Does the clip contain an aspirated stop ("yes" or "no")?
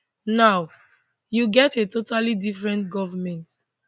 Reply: no